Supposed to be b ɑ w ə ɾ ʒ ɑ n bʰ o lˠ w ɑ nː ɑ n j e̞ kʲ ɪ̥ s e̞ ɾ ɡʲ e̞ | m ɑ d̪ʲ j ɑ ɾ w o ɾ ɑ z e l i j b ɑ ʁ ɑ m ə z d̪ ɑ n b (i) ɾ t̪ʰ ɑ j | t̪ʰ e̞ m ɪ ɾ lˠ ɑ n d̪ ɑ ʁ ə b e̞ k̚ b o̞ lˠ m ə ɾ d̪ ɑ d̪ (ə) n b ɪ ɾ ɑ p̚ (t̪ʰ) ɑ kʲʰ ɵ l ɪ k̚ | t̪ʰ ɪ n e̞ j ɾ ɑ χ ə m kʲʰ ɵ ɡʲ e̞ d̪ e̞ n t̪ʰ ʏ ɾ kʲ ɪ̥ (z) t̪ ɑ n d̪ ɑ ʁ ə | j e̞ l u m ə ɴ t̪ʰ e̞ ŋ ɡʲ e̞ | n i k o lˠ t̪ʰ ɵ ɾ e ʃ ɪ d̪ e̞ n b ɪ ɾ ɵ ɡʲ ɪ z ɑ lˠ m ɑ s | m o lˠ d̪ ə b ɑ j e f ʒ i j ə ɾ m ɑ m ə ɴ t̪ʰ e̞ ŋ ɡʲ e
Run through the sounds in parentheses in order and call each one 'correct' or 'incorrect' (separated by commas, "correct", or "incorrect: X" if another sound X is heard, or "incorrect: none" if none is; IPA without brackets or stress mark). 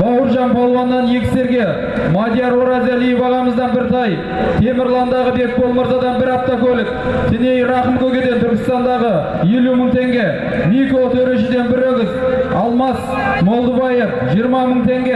incorrect: ɪ, incorrect: ɑ, incorrect: t̪, incorrect: s